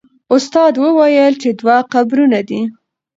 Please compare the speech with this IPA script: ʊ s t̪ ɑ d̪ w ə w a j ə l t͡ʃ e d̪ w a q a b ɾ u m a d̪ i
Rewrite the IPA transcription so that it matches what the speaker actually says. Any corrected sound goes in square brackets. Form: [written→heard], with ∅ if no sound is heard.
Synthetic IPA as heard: ʊ s t̪ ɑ d̪ w ə w a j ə l t͡ʃ e d̪ w a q a b ɾ u [m→n] a d̪ i